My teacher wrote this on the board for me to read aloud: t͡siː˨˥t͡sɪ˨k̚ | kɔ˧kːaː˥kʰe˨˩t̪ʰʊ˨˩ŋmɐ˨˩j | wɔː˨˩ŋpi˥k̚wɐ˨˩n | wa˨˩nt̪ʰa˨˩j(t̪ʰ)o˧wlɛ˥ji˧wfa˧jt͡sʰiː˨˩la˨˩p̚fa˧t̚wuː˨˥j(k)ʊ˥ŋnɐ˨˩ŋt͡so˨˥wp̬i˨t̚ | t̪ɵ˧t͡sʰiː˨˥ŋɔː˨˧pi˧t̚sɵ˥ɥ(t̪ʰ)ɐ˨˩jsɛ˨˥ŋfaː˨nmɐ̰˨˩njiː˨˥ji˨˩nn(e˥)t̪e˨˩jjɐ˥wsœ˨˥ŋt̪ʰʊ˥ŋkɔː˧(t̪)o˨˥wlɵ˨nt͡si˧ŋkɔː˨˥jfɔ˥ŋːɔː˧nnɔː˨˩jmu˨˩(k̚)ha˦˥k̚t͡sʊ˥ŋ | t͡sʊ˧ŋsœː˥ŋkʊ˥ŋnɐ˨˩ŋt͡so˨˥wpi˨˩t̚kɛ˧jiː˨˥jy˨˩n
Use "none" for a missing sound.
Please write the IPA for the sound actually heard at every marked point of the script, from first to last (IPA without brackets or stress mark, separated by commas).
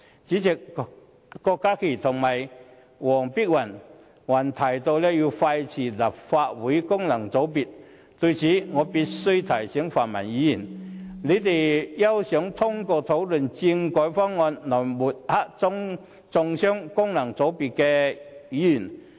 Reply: t̪, k, t̪ʰ, e˨˧, t̪ʰ, t̚